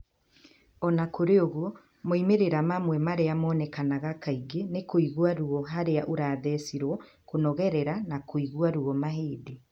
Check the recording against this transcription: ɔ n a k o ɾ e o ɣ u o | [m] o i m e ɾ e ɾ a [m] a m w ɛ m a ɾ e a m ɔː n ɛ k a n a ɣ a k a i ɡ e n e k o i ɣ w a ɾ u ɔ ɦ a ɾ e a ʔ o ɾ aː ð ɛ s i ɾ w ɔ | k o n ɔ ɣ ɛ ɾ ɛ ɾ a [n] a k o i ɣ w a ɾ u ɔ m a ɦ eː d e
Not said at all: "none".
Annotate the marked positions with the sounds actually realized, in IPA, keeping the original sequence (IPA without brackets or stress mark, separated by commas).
m, m, n